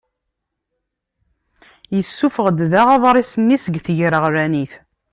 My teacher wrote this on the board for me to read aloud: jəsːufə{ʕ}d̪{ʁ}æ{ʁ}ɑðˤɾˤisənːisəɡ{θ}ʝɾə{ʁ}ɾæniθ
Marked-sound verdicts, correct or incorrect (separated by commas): incorrect, incorrect, correct, correct, correct